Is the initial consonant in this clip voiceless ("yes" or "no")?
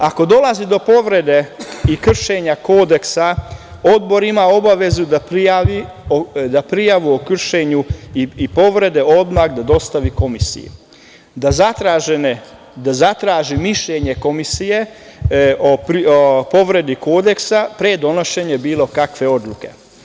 yes